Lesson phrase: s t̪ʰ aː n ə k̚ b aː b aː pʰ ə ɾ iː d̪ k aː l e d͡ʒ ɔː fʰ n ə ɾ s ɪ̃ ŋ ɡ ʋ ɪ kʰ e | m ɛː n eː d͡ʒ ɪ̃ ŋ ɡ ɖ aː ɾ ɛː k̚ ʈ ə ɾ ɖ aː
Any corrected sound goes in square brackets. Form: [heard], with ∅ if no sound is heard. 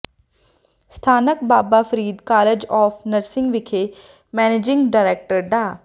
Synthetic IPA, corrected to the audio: s t̪ʰ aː n ə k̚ b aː b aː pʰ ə ɾ iː d̪ k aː l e d͡ʒ ɔː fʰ n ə ɾ s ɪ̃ ŋ ɡ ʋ ɪ kʰ e | m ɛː n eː d͡ʒ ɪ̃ ŋ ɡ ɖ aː ɾ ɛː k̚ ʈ ə ɾ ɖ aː